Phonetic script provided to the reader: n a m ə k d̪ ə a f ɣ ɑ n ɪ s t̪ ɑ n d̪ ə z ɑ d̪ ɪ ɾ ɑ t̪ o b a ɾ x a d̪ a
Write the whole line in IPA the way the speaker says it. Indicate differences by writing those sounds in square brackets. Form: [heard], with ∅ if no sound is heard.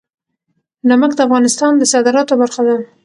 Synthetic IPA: n a m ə k d̪ ə a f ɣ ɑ n ɪ s t̪ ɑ n d̪ ə [s] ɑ d̪ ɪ ɾ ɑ t̪ o b a ɾ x a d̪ a